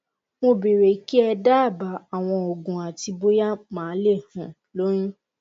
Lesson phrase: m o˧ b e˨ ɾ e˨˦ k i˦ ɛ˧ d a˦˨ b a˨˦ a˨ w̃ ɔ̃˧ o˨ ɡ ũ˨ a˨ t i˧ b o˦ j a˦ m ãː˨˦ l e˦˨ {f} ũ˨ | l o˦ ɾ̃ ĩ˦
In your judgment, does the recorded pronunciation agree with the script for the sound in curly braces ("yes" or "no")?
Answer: no